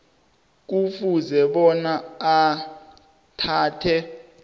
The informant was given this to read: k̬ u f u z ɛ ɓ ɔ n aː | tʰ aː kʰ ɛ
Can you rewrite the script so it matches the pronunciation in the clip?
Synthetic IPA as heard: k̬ u f u z ɛ ɓ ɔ n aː | tʰ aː tʰ ɛ